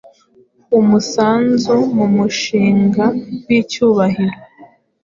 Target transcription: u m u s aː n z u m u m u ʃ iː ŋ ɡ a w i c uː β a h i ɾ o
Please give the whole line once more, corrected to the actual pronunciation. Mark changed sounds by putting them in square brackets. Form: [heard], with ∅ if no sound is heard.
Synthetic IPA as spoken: u m u s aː n z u m u m u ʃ iː ŋ ɡ a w i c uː β a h i ɾ o